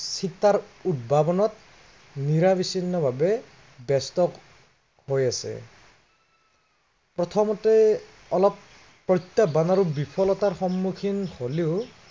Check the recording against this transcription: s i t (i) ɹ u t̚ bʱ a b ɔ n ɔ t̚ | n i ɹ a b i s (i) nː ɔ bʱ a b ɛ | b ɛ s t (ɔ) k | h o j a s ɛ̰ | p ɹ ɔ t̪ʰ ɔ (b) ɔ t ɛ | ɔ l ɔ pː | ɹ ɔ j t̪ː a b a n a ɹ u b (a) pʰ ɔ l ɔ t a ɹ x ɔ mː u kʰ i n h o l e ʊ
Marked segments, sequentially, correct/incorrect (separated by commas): incorrect, correct, correct, incorrect, incorrect